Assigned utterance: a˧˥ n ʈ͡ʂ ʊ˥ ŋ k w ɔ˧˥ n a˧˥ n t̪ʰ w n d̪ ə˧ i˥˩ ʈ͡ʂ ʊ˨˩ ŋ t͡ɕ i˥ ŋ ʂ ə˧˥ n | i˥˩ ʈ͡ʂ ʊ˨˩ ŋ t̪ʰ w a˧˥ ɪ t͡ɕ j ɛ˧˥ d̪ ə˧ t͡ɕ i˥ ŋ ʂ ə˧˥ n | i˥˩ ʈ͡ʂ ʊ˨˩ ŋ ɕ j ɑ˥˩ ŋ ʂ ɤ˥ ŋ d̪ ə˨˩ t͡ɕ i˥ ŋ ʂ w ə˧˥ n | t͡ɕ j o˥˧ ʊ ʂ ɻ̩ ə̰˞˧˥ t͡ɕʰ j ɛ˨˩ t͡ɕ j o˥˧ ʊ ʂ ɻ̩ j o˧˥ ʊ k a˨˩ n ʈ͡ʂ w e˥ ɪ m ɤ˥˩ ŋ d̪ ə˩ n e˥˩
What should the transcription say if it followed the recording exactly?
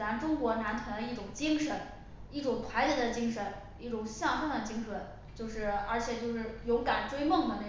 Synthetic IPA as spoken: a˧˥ n ʈ͡ʂ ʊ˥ ŋ k w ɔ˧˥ n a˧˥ n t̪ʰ w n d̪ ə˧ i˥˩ ʈ͡ʂ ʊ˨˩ ŋ t͡ɕ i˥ ŋ ʂ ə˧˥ n | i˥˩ ʈ͡ʂ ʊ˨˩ ŋ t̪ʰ w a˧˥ ɪ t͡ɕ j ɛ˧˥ d̪ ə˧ t͡ɕ i˥ ŋ ʂ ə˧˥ n | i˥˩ ʈ͡ʂ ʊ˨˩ ŋ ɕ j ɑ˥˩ ŋ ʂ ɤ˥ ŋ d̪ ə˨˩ t͡ɕ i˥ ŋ ʂ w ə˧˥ n | t͡ɕ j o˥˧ ʊ ʂ ɻ̩ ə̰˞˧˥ t͡ɕʰ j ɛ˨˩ t͡ɕ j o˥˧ ʊ ʂ ɻ̩ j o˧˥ ʊ k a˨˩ n ʈ͡ʂ w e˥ ɪ m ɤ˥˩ ŋ d̪ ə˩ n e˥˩